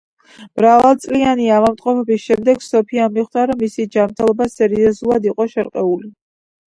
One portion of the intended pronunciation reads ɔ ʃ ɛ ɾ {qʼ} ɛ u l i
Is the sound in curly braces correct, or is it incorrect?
correct